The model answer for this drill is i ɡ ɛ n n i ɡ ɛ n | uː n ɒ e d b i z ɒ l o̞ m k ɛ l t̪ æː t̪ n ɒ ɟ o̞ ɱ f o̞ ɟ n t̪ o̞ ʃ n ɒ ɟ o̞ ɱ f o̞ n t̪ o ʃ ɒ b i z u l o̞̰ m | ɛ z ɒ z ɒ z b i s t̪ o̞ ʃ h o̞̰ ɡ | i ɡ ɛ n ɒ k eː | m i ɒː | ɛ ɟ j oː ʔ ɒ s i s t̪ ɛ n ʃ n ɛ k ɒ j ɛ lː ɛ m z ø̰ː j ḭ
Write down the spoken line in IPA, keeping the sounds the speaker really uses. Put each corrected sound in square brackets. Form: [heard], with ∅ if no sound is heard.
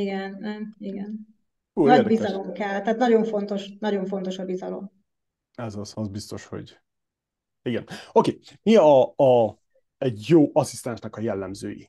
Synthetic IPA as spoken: i ɡ ɛ n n i ɡ ɛ n | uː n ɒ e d b i z ɒ l o̞ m k ɛ l t̪ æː t̪ n ɒ ɟ o̞ ɱ f o̞ [∅] n t̪ o̞ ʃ n ɒ ɟ o̞ ɱ f o̞ n t̪ o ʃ ɒ b i z [ɒ] l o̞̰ m | ɛ z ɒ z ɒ z b i s t̪ o̞ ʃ h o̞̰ [ɟ] | i ɡ ɛ n [o] k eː | m i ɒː | ɛ ɟ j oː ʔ ɒ s i s t̪ ɛ n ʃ n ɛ k ɒ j ɛ lː ɛ m z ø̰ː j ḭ